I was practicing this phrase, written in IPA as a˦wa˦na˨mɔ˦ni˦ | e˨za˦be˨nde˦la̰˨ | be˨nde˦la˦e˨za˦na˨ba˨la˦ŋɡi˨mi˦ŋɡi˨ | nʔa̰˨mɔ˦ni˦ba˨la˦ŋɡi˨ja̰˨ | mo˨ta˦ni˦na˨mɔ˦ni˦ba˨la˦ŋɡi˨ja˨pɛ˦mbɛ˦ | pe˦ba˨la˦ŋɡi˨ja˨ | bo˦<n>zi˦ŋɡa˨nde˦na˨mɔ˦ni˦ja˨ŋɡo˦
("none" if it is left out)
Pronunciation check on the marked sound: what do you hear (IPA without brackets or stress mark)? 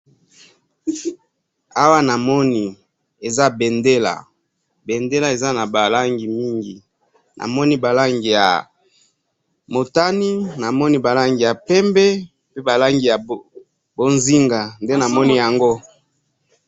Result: n